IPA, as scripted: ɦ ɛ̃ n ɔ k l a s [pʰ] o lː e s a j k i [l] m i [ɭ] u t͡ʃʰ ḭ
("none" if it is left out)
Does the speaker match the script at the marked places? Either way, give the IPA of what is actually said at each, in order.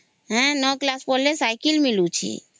p, l, l

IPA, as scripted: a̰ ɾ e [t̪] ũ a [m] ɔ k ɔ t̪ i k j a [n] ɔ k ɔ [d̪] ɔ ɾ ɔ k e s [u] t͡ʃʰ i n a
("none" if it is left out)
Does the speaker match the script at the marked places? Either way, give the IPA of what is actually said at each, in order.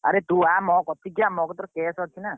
t̪, m, m, t̪, ɔ

